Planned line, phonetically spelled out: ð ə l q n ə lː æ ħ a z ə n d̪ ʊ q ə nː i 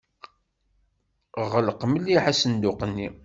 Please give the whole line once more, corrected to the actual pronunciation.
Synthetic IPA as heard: ʁ ə l q m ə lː i ħ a s ə n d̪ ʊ q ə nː i

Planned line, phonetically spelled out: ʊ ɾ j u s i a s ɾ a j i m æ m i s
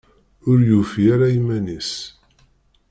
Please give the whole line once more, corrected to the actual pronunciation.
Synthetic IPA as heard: ʊ ɾ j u f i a ɾ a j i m æ n i s

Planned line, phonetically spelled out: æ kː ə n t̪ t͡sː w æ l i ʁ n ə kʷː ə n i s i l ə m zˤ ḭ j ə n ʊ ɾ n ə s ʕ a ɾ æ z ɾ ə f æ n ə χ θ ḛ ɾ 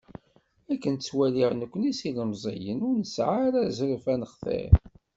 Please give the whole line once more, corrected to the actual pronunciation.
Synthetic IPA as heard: æ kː ə n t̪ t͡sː w æ l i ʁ n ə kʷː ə n i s i l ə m zˤ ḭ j ə n ʊ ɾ n ə s ʕ a ɾ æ z ɾ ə f æ n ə χ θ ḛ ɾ

